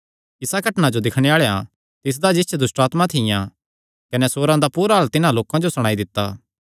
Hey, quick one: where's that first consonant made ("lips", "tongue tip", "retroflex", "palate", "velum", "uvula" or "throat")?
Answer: tongue tip